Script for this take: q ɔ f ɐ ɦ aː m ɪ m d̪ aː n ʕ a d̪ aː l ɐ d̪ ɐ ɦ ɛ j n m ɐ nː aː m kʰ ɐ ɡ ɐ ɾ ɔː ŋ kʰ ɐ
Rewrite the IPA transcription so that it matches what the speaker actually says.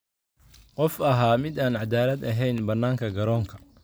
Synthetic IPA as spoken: q ɔ f ɐ ɦ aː m ɪ d̪ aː n ʕ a d̪ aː l ɐ d̪ ɐ ɦ ɛ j n b ɐ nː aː ŋ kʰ ɐ ɡ ɐ ɾ ɔː ŋ kʰ ɐ